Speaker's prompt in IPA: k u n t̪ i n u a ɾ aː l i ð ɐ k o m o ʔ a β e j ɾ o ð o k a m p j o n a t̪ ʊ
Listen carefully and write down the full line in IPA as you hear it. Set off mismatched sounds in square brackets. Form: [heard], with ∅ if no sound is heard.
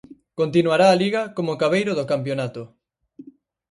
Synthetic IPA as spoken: k [o] n t̪ i n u a ɾ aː l i [ɣ] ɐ k o m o [k] a β e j ɾ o ð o k a m p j o n a t̪ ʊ